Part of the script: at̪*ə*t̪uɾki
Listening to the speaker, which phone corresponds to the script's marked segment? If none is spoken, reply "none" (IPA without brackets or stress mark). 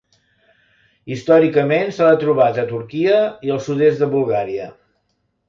ə